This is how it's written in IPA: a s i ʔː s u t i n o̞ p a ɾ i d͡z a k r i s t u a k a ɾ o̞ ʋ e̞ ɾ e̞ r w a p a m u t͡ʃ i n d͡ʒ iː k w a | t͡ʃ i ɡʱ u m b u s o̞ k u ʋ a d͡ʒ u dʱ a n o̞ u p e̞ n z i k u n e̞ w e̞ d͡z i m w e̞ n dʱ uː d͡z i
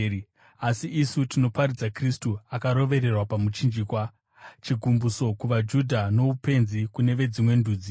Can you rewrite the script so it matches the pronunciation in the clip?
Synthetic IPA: a s i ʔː s u t i n o̞ p a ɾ i d͡z a k r i s t u a k a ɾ o̞ ʋ e̞ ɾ e̞ r w a p a m u t͡ʃ i n d͡ʒ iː k w a | t͡ʃ i ɡʱ u m b u s o̞ k u ʋ a d͡ʒ u dʱ a n o̞ u p e̞ n z i k u n e̞ ʋ e̞ d͡z i m w e̞ n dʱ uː d͡z i